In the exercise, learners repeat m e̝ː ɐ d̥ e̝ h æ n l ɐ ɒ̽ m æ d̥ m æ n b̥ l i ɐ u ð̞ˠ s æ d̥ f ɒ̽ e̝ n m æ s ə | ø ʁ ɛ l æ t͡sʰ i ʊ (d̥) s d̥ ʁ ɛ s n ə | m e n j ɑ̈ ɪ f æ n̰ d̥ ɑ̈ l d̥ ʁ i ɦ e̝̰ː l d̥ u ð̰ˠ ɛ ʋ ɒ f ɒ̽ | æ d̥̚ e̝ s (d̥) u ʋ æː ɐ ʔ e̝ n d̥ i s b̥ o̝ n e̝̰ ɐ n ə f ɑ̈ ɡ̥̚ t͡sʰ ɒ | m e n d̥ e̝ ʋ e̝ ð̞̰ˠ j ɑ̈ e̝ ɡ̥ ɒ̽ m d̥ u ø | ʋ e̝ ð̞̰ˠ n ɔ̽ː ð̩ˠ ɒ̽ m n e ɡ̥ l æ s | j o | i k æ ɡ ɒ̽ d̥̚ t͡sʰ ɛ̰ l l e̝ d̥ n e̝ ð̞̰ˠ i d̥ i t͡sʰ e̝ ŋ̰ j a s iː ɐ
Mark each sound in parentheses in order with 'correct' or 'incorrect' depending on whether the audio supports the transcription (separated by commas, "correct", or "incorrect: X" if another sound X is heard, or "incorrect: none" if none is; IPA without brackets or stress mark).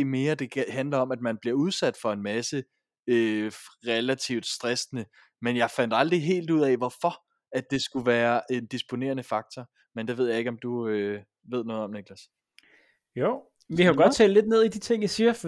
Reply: correct, incorrect: ɡ̥